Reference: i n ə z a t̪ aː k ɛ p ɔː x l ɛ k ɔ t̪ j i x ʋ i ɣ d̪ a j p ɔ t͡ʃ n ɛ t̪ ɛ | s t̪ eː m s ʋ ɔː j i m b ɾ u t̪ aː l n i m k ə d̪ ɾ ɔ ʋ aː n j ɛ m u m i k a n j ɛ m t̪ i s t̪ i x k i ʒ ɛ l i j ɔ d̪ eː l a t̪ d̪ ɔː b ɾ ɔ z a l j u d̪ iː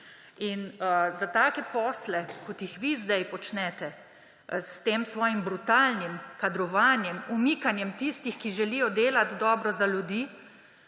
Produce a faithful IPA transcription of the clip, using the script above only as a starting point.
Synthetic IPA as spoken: i n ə z a t̪ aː k ɛ p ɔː s l ɛ k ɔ t̪ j i x ʋ i z d̪ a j p ɔ t͡ʃ n ɛ t̪ ɛ | s t̪ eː m s ʋ ɔː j i m b ɾ u t̪ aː l n i m k a d̪ ɾ ɔ ʋ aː n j ɛ m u m i k a n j ɛ m t̪ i s t̪ i x k i ʒ ɛ l i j ɔ d̪ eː l a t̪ d̪ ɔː b ɾ ɔ z a l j u d̪ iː